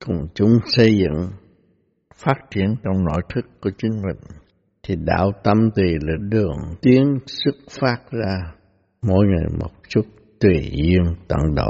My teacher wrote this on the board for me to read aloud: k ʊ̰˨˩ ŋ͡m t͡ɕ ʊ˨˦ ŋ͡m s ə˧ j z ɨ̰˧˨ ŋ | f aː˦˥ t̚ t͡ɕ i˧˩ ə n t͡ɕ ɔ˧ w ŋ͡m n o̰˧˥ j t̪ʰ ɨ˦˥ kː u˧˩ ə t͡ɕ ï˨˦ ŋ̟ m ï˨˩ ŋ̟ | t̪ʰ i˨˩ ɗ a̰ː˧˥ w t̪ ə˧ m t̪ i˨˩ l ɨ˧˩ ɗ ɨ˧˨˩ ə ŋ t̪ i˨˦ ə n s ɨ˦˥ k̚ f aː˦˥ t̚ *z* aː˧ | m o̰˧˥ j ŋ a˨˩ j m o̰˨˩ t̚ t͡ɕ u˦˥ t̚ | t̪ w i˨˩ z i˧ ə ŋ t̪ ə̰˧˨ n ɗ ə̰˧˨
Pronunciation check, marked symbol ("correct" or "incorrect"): correct